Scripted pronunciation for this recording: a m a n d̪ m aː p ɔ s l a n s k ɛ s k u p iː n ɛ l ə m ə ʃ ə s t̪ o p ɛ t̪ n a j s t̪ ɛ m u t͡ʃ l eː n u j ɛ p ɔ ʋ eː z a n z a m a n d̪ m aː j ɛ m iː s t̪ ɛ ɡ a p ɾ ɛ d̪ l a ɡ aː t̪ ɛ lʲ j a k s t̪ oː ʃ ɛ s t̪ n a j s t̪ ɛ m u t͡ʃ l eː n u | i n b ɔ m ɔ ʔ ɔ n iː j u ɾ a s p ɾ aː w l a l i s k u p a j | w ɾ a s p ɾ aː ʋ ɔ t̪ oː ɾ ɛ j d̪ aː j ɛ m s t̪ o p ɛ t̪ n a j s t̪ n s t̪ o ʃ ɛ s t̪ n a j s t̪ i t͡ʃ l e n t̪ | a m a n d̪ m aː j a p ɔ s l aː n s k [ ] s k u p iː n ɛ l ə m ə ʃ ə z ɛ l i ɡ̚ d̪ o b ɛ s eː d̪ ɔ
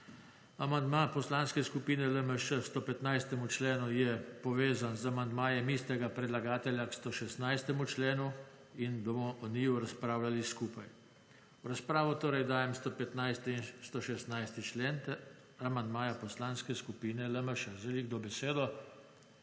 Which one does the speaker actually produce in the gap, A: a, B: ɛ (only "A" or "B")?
B